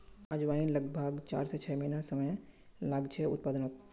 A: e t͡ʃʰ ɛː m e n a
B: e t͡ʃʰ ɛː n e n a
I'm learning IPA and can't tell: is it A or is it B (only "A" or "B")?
A